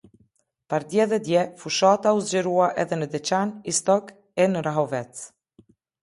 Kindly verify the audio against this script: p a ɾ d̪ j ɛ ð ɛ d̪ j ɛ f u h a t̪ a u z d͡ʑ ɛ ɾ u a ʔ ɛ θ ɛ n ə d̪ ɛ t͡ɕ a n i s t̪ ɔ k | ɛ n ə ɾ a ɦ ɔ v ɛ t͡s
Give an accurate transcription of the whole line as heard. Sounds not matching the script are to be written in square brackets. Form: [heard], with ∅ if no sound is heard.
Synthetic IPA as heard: p a ɾ d̪ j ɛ ð ɛ d̪ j ɛ f u [ʃ] a t̪ a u z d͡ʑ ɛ ɾ u a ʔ ɛ [ð] ɛ n ə d̪ ɛ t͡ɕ a n i s t̪ ɔ k | ɛ n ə ɾ a ɦ ɔ v ɛ t͡s